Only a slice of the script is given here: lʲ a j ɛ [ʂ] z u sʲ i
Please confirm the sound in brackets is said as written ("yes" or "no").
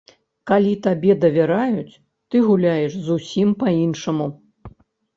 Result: yes